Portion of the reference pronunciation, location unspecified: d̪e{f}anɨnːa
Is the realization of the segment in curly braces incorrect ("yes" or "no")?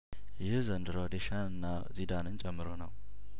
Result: yes